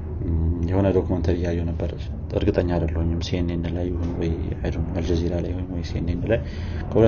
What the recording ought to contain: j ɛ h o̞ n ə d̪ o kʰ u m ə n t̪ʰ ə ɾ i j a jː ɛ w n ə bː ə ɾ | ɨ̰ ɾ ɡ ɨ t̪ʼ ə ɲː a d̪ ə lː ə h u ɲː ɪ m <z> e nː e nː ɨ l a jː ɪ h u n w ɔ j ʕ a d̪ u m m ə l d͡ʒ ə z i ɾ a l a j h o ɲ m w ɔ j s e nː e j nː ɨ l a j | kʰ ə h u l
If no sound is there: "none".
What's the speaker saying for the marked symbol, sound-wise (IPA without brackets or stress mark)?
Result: s